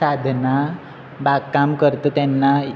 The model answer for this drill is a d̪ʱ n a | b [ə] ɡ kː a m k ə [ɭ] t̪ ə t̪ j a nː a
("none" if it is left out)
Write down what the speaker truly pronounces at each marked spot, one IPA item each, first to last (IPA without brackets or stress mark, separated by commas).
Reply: a, ɾ